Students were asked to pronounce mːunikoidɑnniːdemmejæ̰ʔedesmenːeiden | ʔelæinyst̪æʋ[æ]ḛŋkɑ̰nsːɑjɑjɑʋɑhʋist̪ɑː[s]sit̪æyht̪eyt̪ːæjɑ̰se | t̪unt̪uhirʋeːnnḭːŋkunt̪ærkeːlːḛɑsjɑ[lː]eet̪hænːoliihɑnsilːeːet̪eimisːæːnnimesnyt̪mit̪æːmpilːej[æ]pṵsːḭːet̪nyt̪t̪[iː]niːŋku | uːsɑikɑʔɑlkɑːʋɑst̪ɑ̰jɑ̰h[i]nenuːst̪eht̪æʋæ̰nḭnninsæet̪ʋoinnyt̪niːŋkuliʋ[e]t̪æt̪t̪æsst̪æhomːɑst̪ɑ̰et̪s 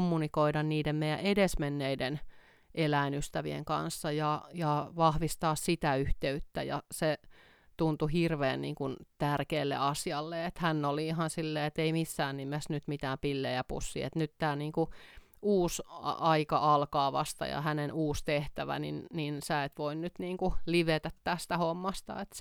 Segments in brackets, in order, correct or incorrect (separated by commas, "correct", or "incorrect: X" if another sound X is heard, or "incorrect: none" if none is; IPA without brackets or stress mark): incorrect: i, correct, correct, correct, incorrect: æː, incorrect: æ, correct